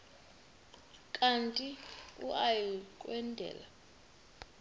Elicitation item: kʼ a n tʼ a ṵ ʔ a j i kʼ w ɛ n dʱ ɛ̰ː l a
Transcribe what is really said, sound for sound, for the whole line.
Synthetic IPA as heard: kʼ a n tʼ i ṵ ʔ a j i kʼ w ɛ n dʱ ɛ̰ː l a